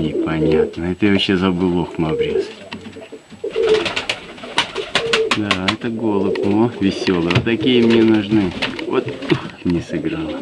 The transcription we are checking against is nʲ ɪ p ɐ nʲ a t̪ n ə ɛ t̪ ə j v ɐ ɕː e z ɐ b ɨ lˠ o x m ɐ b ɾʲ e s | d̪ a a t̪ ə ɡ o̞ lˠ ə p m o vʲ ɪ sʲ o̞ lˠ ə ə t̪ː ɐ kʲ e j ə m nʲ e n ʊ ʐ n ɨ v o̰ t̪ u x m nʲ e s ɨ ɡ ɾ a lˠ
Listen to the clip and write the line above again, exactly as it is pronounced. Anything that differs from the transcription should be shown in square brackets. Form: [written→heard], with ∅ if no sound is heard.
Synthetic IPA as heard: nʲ ɪ p ɐ nʲ a t̪ n ə ɛ t̪ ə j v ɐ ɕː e z ɐ b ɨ lˠ o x m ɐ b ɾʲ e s | d̪ a [a→ɛ] t̪ ə ɡ o̞ lˠ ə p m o vʲ ɪ sʲ o̞ lˠ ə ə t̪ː ɐ kʲ [e→i] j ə m nʲ e n ʊ ʐ n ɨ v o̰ t̪ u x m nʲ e s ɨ ɡ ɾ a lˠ

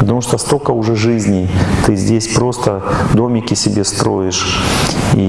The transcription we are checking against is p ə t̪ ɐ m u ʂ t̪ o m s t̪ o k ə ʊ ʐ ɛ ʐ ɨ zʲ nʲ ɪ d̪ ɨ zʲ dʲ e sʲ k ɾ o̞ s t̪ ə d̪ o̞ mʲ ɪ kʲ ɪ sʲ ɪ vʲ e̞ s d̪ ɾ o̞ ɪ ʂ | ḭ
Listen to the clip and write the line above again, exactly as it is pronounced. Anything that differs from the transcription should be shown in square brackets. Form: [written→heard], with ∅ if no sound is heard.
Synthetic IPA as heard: p ə t̪ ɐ m u ʂ t̪ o [m→∅] s t̪ o k ə ʊ ʐ ɛ ʐ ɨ zʲ nʲ ɪ [d̪→t̪] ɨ zʲ dʲ e sʲ [k→p] ɾ o̞ s t̪ ə d̪ o̞ mʲ ɪ kʲ ɪ sʲ ɪ [vʲ→bʲ] e̞ s [d̪→t̪] ɾ o̞ ɪ ʂ | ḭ

